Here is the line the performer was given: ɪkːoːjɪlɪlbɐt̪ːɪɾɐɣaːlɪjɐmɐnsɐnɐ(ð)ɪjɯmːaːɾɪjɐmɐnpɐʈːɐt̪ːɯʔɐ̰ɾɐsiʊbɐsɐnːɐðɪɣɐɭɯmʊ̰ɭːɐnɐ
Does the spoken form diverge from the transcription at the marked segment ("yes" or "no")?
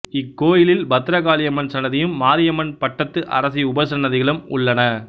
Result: no